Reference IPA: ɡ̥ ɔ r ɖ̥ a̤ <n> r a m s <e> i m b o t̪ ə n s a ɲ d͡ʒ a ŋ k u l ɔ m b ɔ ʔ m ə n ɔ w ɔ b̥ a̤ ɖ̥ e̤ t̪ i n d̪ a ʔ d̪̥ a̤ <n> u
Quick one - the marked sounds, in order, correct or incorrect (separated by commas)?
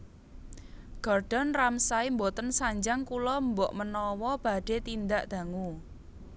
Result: correct, incorrect, incorrect